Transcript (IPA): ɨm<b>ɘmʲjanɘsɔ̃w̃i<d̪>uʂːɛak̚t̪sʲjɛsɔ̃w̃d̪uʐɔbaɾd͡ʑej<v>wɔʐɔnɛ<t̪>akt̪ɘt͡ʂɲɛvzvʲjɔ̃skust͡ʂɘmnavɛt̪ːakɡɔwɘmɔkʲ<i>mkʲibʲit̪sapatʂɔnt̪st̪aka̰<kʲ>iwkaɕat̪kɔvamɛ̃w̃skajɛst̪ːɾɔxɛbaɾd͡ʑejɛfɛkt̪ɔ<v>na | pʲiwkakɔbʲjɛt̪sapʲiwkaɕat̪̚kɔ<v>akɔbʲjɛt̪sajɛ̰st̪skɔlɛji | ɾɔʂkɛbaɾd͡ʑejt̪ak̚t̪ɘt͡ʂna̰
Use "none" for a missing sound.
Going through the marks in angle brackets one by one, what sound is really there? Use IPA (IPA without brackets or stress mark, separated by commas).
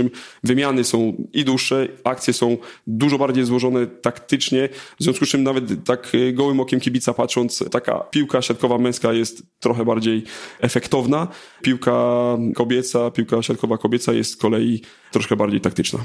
v, d̪, z, t̪, ɛ, pʲ, v, v